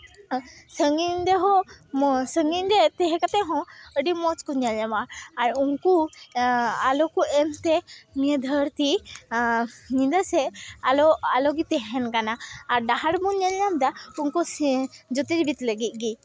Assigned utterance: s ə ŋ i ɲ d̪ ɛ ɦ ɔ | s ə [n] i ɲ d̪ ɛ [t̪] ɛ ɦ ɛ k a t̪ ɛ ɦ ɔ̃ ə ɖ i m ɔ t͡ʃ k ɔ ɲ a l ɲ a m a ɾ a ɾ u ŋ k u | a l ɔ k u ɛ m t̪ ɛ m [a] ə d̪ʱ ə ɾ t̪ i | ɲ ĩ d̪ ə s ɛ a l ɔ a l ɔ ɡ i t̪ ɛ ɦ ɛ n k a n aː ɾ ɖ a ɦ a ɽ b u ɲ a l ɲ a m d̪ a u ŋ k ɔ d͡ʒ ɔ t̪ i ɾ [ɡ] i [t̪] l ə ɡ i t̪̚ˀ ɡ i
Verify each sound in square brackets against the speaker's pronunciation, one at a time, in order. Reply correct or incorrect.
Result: incorrect, correct, incorrect, incorrect, correct

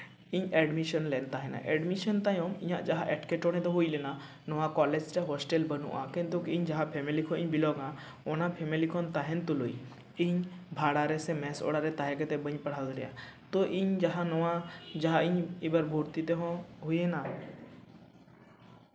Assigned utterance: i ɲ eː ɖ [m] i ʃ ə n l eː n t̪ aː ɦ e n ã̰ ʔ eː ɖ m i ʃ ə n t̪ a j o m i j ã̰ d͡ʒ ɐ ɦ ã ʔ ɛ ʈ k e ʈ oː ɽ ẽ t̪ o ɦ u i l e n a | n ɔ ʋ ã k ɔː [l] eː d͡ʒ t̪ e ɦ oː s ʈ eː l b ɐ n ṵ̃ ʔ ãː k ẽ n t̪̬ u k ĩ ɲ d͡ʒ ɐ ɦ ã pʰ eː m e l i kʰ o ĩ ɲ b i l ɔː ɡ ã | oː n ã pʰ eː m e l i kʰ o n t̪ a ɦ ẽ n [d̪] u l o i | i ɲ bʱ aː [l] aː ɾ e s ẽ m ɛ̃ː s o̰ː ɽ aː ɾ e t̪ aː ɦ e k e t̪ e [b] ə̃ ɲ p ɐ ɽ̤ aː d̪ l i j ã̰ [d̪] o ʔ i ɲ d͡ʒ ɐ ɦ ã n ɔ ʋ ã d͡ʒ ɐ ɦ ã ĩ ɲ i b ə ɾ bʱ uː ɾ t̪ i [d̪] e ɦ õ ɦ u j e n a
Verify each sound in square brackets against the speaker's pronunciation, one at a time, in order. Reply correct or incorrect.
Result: correct, correct, incorrect, incorrect, correct, incorrect, incorrect

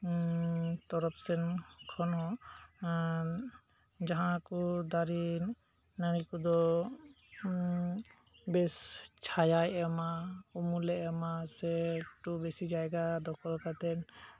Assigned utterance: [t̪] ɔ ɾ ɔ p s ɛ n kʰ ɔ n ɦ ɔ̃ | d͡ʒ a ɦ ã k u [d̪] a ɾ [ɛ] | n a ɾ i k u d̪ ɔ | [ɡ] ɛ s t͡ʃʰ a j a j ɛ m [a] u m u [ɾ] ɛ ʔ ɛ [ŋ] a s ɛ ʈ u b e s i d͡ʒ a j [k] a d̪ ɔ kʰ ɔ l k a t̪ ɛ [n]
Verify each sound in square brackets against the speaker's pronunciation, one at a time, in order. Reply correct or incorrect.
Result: correct, correct, incorrect, incorrect, correct, incorrect, incorrect, incorrect, correct

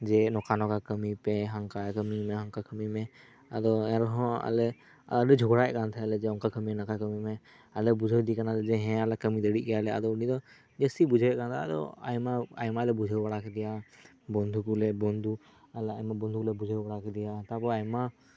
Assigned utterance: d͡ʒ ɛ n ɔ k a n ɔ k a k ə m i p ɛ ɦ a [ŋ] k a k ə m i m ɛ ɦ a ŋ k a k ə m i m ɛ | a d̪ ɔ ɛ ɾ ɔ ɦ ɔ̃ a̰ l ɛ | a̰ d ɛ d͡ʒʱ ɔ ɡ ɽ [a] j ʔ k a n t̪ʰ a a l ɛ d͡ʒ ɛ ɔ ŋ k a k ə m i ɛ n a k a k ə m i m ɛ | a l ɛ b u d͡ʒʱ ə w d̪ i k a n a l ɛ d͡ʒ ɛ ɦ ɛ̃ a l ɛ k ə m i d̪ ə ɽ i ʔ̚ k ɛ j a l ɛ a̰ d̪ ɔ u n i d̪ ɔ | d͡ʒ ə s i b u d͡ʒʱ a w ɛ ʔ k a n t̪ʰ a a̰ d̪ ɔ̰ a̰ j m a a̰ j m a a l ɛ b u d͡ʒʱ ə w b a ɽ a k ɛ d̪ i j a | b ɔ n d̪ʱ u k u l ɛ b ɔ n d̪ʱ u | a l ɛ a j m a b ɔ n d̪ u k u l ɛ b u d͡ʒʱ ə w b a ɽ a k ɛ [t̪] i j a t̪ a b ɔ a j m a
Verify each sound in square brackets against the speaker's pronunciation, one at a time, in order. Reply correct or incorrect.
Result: correct, correct, incorrect

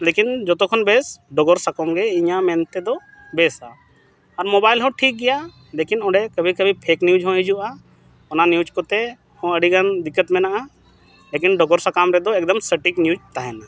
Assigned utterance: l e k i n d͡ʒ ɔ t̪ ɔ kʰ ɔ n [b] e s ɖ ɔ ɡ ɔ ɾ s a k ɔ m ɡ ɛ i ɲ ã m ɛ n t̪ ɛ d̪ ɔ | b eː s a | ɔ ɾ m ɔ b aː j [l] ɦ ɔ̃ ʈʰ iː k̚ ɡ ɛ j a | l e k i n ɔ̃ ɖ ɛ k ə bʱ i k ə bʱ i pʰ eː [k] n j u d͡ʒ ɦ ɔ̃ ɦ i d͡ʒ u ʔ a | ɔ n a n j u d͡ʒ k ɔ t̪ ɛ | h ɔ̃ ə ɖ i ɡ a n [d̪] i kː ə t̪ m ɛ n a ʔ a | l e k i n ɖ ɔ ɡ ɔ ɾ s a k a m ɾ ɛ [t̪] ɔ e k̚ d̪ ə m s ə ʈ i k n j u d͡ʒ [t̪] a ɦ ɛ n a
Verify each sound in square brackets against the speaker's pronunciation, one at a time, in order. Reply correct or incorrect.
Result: correct, correct, correct, correct, incorrect, correct

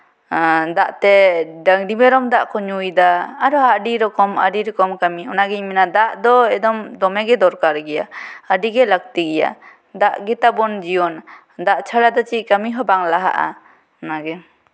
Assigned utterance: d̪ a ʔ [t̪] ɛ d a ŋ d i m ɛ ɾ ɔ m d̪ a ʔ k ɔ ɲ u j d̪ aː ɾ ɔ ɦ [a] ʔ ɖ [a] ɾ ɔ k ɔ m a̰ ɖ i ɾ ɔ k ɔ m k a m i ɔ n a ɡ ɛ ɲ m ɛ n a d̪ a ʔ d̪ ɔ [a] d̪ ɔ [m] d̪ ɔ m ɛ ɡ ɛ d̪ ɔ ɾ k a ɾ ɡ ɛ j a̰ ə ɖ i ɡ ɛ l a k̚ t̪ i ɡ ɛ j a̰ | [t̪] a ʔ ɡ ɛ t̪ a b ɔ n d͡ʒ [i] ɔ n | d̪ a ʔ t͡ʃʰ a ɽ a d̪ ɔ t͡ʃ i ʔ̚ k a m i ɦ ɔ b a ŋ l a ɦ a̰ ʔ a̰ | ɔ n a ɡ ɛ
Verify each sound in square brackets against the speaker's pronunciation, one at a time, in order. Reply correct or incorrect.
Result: correct, correct, incorrect, incorrect, correct, incorrect, correct

